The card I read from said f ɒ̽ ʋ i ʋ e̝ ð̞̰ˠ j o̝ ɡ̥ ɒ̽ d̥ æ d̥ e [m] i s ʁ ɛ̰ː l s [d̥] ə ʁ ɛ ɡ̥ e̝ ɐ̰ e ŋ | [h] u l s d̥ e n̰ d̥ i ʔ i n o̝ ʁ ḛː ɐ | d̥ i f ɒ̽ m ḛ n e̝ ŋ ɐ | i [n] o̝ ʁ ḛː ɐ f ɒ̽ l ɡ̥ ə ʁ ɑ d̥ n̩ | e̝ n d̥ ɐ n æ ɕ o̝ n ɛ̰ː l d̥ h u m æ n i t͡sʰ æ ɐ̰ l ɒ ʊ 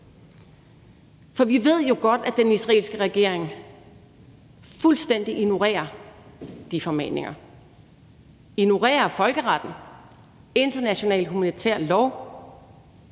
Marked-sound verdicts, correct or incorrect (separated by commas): incorrect, incorrect, incorrect, correct